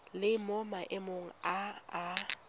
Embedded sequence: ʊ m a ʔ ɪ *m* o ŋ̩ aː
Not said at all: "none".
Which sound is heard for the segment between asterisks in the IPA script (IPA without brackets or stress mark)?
m